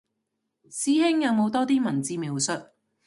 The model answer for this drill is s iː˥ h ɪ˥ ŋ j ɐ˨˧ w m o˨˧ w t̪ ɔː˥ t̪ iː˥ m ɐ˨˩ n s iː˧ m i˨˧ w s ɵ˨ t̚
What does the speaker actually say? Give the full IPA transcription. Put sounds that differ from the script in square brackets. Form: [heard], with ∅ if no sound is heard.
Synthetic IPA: s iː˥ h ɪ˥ ŋ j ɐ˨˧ w m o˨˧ w t̪ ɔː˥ t̪ iː˥ m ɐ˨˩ n [t͡s] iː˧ m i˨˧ w s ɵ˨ t̚